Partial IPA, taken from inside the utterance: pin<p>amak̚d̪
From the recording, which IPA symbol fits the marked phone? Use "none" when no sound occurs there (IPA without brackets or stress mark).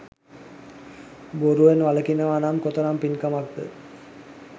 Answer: k